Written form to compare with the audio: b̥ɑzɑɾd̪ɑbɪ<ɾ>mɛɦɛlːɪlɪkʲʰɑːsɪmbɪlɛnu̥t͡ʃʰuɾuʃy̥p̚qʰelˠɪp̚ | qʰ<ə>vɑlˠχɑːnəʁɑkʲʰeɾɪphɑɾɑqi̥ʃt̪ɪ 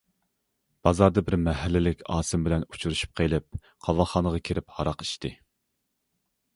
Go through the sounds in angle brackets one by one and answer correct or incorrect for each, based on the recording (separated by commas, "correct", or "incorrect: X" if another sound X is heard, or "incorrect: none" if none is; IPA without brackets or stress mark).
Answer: correct, incorrect: ɑ